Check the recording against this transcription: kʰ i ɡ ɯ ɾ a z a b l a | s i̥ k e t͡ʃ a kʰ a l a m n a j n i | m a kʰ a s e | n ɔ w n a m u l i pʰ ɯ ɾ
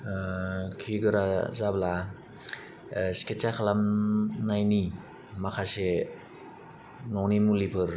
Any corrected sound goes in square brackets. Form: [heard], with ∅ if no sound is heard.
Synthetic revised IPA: kʰ i ɡ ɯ ɾ a z a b l a | s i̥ k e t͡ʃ a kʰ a l a m n a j n i | m a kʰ a s e | n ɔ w n [i] m u l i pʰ ɯ ɾ